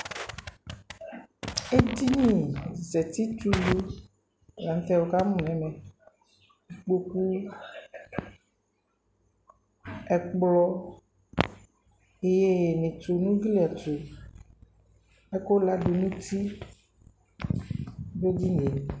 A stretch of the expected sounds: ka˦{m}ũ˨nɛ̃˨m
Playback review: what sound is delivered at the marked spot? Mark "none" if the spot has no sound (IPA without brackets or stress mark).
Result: m